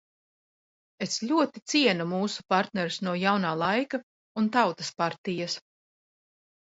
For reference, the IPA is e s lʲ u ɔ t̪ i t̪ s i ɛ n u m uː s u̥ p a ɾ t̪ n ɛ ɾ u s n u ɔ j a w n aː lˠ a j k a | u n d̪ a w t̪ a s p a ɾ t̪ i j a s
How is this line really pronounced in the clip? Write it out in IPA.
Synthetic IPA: e s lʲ u ɔ t̪ i t̪ s i ɛ n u m uː s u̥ p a ɾ t̪ n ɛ ɾ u s n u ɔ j a w n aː lˠ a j k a | u n t̪ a w t̪ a s p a ɾ t̪ i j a s